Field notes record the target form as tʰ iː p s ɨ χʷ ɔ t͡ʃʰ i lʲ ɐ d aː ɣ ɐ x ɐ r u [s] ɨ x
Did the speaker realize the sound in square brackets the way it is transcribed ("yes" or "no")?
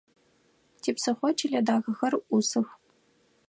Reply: yes